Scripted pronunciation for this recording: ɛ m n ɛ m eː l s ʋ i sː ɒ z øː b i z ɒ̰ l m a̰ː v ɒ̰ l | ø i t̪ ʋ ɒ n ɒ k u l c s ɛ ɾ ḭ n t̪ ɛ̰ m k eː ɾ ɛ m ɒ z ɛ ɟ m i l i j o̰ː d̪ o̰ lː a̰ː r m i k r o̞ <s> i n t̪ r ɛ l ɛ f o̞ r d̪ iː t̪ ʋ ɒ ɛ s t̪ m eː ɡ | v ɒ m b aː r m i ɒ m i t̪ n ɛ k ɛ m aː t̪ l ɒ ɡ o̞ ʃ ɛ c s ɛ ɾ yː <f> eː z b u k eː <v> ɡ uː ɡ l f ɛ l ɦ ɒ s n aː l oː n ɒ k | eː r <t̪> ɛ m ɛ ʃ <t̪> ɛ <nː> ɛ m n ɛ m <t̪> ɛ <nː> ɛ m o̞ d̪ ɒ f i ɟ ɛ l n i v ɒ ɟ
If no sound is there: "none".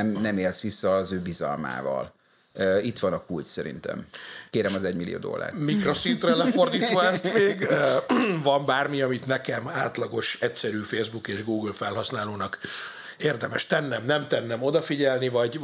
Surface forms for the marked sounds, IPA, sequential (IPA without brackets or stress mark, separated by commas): s, f, ʒ, d̪, t̪, nː, t̪, nː